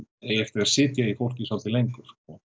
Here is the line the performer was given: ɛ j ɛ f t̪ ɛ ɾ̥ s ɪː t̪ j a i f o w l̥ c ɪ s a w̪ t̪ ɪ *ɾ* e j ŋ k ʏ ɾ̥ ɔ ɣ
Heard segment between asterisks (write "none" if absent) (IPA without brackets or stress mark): l